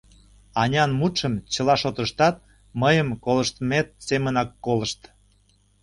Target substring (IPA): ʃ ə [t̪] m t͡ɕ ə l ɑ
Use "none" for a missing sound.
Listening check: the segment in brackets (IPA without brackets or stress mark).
none